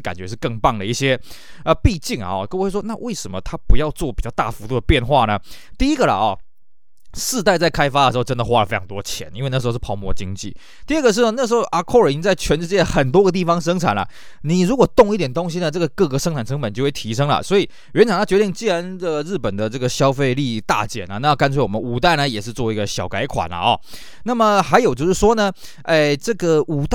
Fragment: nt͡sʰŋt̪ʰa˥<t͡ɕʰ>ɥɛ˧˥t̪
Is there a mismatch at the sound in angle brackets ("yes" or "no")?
yes